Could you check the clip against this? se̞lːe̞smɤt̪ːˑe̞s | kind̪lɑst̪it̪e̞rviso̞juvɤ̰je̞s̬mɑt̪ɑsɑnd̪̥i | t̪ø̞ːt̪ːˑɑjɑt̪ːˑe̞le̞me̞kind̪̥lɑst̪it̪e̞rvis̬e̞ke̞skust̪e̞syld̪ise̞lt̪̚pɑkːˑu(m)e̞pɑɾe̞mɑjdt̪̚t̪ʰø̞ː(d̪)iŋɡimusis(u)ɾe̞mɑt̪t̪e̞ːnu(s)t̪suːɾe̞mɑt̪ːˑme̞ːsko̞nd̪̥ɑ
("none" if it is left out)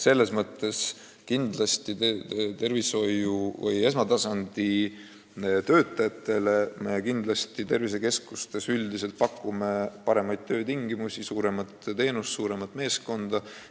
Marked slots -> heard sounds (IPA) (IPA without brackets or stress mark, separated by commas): m, t̪, uː, s